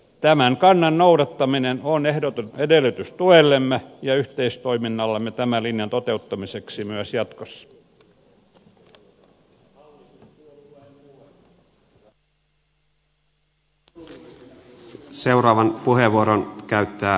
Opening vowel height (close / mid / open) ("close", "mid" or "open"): open